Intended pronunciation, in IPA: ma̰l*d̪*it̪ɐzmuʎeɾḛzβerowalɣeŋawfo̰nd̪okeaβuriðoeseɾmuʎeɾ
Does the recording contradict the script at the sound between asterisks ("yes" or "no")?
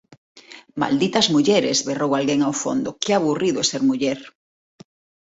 no